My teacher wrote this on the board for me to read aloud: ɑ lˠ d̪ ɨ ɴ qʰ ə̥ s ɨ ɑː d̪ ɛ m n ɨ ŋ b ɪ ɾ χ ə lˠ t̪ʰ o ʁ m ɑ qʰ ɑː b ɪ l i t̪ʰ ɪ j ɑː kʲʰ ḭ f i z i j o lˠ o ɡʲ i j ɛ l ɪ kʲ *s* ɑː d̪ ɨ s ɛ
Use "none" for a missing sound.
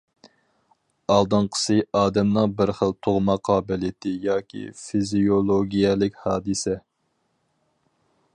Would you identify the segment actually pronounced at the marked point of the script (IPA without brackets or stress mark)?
h